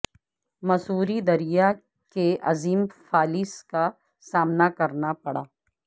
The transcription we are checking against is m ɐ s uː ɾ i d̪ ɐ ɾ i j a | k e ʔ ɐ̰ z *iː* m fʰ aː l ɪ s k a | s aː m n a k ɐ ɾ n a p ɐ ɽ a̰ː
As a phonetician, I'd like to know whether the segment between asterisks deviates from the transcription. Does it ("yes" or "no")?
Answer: no